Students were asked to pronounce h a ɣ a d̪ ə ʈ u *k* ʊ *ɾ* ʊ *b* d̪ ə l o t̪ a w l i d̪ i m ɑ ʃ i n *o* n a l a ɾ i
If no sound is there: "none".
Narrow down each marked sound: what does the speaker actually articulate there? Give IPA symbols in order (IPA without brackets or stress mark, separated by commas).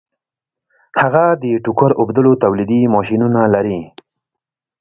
k, ɾ, b, u